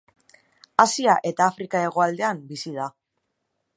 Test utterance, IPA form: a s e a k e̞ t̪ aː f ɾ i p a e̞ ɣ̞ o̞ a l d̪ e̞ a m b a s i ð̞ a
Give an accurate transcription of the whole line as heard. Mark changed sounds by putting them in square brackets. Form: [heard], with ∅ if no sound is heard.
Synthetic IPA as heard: a s [i] a [ʔ] e̞ t̪ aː f ɾ i [k] a e̞ ɣ̞ o̞ a l d̪ e̞ a m b [i] s i ð̞ a